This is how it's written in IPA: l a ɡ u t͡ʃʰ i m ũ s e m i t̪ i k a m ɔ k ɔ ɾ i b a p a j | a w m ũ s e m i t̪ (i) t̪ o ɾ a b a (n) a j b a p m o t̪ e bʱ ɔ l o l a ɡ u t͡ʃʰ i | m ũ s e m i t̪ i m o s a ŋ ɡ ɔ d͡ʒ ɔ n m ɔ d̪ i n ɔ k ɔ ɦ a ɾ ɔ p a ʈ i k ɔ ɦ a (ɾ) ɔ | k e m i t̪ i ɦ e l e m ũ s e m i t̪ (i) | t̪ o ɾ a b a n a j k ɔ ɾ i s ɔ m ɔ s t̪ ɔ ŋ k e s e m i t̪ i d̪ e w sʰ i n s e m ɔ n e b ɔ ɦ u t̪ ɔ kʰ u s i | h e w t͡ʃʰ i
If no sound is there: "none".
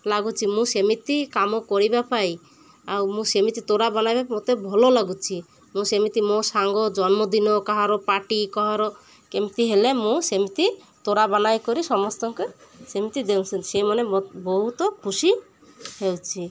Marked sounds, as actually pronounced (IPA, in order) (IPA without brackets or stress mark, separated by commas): i, n, ɾ, i